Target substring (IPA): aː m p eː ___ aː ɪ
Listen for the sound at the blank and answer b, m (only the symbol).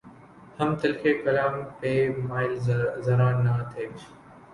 m